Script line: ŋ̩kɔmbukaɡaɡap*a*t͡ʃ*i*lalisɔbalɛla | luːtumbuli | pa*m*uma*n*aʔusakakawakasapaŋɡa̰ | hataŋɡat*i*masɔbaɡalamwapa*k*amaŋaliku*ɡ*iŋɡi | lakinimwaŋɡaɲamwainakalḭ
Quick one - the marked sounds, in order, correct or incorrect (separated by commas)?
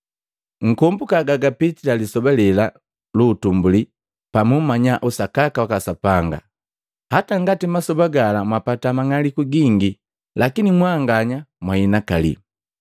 incorrect, correct, correct, incorrect, correct, incorrect, correct